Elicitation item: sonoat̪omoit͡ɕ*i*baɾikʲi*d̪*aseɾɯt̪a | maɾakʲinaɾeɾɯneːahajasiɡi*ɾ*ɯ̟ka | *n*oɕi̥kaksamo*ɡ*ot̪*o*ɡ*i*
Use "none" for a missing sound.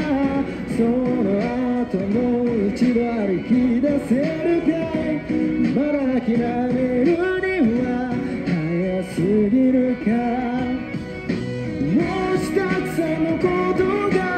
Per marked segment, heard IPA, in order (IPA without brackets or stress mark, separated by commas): i, d̪, ɾ, m, k, o, a